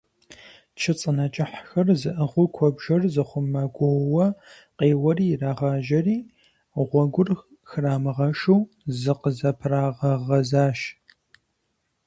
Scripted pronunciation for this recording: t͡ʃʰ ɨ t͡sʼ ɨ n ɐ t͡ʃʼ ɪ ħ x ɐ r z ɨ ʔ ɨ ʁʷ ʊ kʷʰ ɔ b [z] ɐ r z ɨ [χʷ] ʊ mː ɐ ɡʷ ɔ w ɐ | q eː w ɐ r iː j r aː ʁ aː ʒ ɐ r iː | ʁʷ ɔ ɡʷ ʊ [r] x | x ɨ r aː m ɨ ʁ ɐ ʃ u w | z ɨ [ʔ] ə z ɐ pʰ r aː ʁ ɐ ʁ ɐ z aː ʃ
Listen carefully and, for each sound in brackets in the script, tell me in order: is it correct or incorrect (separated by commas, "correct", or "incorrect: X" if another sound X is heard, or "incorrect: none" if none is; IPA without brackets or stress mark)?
incorrect: ʒ, correct, correct, incorrect: q